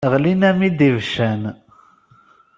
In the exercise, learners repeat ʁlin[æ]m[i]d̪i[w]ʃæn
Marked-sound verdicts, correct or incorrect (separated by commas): correct, correct, incorrect